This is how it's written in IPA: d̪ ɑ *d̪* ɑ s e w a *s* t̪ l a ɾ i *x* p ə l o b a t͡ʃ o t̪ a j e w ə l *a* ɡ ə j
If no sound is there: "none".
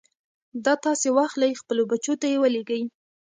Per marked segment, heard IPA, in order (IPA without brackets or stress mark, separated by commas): t̪, x, x, e